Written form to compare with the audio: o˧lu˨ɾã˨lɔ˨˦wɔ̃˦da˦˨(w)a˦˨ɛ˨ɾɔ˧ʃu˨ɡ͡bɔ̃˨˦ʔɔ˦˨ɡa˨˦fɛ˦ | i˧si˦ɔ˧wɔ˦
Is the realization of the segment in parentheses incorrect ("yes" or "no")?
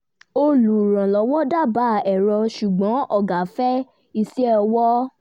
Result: yes